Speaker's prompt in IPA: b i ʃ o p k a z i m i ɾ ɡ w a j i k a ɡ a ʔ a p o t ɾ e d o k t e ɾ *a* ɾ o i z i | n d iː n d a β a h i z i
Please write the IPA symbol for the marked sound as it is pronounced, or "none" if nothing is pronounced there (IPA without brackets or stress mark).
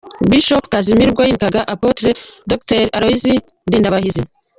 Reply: a